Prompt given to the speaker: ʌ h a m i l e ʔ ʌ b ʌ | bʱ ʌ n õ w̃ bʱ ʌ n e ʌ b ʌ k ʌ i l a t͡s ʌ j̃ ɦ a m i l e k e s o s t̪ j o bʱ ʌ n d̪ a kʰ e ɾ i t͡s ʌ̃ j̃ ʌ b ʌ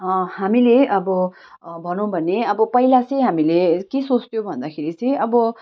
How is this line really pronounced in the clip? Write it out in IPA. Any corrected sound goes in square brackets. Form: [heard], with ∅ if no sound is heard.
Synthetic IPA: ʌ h a m i l e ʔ ʌ b ʌ | bʱ ʌ n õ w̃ bʱ ʌ n e ʌ b ʌ [p] ʌ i l a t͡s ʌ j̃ ɦ a m i l e k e s o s t̪ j o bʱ ʌ n d̪ a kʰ e ɾ i t͡s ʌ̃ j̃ ʌ b ʌ